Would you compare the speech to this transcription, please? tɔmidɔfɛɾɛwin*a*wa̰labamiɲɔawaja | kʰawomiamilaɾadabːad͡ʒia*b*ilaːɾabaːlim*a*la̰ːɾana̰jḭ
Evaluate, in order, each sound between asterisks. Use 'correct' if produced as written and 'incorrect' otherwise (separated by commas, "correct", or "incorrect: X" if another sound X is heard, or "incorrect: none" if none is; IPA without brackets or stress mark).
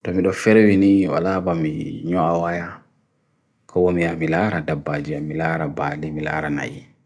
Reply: incorrect: i, incorrect: m, incorrect: i